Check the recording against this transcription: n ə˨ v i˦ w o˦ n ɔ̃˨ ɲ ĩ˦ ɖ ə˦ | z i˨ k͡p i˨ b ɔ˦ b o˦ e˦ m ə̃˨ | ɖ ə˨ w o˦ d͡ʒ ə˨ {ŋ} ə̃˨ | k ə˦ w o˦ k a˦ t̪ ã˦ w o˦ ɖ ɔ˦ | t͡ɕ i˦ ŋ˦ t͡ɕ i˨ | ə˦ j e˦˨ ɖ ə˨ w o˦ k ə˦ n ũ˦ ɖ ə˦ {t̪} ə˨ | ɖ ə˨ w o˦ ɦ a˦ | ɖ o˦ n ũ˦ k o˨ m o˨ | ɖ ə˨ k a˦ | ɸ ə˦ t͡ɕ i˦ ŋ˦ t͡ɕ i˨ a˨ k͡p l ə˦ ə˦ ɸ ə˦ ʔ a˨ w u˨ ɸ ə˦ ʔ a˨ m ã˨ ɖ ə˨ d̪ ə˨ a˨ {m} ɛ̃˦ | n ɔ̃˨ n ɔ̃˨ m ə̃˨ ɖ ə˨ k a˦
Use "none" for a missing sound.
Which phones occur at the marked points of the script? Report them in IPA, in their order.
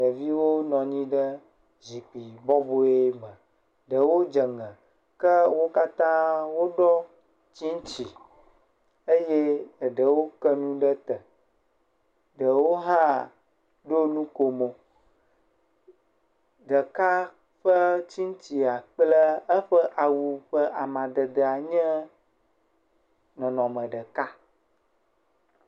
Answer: ŋ, t̪, ɲ

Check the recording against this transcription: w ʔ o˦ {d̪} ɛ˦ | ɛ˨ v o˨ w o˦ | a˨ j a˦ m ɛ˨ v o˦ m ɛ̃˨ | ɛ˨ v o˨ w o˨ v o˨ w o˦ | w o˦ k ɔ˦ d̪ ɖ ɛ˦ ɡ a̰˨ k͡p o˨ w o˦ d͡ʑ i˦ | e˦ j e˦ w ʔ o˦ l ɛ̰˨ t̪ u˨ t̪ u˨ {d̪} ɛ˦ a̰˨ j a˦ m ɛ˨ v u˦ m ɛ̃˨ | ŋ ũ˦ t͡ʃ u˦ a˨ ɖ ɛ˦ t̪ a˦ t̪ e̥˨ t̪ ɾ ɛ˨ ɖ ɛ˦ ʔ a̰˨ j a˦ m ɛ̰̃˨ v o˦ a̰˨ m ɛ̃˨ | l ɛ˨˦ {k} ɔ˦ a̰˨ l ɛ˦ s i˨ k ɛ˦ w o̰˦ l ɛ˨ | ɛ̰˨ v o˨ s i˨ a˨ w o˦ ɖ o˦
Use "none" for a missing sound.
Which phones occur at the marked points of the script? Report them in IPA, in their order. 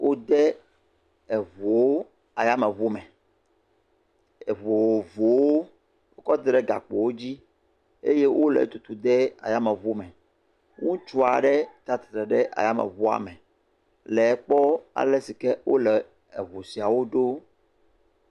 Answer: d̪, d̪, k͡p

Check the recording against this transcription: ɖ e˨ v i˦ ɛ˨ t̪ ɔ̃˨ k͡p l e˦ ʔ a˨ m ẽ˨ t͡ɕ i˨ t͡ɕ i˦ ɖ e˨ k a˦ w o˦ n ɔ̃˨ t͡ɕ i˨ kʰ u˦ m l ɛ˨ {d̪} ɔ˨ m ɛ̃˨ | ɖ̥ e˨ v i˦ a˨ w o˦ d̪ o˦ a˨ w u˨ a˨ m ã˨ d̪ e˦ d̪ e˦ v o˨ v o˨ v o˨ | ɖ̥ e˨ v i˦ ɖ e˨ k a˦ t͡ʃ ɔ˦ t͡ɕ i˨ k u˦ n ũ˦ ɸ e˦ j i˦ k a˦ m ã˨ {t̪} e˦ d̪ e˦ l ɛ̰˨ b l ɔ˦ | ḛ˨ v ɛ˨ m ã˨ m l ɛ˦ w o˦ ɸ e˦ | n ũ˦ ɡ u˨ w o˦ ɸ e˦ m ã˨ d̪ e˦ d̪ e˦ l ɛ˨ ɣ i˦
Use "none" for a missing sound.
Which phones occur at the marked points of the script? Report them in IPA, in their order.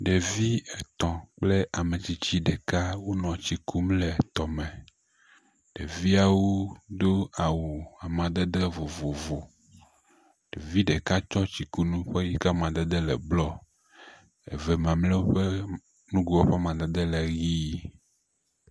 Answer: t̪, d̪

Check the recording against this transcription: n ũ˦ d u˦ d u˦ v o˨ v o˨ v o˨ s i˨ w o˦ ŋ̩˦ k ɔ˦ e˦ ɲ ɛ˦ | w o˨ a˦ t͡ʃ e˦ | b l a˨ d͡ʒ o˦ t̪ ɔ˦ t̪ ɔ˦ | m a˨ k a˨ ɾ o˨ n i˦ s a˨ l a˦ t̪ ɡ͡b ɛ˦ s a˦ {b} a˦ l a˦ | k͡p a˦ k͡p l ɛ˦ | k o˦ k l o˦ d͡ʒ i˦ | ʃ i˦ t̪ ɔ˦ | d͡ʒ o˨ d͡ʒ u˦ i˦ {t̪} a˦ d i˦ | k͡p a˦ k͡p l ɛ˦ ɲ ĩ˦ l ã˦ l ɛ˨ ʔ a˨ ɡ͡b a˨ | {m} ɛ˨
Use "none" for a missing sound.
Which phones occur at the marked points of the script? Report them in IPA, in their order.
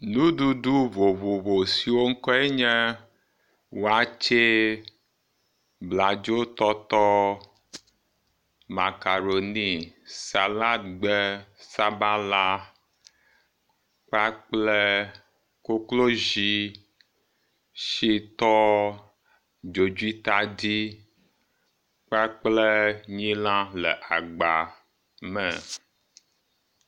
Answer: b, t̪, m

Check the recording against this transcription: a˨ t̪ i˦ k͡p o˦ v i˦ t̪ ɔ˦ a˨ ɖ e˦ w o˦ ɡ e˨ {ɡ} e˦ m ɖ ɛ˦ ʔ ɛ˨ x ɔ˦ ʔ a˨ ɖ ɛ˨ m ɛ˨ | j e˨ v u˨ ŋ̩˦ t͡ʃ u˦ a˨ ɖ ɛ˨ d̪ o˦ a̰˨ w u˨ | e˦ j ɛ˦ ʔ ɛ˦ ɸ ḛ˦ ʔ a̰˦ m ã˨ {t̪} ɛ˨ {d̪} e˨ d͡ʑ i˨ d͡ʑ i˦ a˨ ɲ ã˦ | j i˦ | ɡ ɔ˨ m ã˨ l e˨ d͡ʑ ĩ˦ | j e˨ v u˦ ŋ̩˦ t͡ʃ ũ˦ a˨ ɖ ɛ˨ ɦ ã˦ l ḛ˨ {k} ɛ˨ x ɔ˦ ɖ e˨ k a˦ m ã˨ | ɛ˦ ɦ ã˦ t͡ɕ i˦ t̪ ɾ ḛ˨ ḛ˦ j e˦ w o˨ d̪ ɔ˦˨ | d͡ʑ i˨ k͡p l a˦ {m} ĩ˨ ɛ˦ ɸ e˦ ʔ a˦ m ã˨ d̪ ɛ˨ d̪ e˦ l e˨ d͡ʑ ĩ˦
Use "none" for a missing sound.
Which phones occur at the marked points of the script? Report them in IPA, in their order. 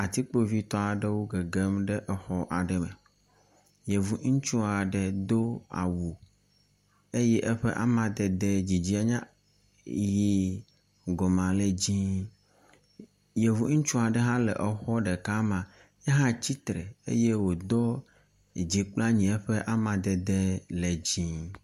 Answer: ɡ, d̪, d̪, ʔ, ɲ

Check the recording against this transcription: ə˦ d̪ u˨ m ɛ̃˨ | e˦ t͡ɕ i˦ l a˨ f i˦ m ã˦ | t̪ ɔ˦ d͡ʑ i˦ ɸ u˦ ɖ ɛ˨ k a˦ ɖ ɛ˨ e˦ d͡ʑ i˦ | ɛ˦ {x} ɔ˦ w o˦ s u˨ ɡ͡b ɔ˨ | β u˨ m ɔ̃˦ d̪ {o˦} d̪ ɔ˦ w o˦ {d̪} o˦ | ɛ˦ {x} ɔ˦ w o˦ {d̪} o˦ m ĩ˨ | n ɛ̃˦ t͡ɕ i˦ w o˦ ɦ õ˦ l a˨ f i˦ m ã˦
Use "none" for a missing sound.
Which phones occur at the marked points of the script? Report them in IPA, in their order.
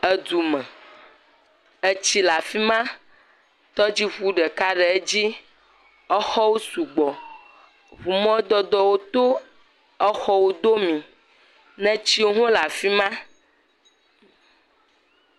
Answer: x, ɔ˦, t̪, x, d̪

